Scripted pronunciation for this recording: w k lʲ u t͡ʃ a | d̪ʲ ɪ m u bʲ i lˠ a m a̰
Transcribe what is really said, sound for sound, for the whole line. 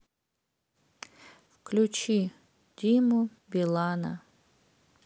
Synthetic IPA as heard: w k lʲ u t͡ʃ i | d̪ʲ i m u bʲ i lˠ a n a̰